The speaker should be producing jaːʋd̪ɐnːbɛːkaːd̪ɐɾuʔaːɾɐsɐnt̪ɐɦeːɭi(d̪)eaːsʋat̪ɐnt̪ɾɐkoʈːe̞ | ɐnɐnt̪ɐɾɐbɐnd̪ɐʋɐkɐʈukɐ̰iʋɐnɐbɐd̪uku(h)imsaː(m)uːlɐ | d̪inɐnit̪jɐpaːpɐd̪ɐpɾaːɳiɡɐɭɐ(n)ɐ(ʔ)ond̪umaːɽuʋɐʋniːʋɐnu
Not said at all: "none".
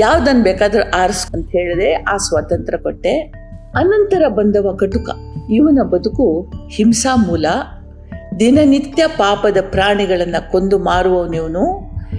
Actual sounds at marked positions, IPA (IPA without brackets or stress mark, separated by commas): d̪, h, m, nː, k